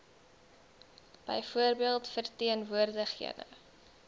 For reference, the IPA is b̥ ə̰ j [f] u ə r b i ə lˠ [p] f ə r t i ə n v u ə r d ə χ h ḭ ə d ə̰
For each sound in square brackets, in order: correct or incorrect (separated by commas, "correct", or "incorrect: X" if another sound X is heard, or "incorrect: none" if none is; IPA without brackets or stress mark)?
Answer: correct, incorrect: t